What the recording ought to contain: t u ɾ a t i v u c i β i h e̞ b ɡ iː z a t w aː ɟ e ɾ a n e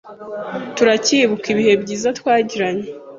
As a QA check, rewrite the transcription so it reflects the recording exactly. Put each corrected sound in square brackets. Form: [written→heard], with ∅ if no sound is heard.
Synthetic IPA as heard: t u ɾ a [t→c] i [v→β] u [c→k] i β i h e̞ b [ɡ→ɟ] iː z a t w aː ɟ [e→i] ɾ a [n→ɲ] e